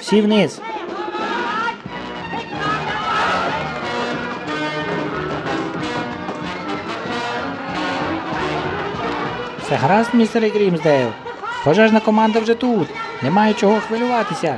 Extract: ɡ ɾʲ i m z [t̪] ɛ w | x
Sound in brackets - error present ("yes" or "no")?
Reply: yes